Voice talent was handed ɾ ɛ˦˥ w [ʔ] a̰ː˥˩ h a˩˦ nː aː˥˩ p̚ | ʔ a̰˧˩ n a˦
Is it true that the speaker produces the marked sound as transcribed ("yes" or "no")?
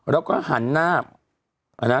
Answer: no